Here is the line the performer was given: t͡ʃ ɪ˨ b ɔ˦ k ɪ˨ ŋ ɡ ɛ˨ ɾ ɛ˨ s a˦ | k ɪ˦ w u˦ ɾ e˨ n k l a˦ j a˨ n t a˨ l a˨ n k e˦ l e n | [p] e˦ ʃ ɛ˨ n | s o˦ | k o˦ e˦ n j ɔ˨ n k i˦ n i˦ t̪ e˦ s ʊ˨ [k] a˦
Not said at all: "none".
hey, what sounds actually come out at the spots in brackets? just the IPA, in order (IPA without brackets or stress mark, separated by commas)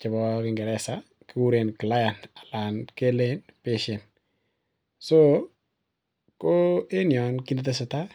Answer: p, t